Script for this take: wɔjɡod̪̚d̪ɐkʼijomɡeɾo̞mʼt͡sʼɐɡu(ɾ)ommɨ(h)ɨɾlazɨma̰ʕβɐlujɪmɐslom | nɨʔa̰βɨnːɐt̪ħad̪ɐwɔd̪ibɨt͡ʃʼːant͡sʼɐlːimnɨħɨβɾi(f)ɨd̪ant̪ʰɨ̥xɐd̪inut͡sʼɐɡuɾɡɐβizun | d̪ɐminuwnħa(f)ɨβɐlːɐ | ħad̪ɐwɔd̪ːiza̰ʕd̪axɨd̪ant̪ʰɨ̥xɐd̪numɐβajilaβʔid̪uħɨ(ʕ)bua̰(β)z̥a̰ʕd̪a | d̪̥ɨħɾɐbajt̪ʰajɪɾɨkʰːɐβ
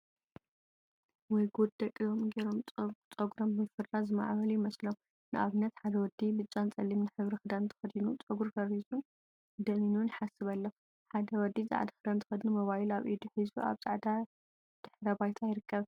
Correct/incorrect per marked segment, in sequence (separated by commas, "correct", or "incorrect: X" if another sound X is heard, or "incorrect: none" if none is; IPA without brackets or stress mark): correct, incorrect: f, incorrect: x, incorrect: s, incorrect: z, correct